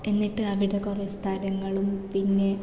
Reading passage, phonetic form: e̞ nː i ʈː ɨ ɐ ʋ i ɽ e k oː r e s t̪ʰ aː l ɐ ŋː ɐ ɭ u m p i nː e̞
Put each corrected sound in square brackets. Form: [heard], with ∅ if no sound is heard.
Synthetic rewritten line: e̞ nː i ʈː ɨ ɐ ʋ i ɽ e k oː r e s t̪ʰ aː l ɐ ŋː ɐ ɭ u m p i nː e̞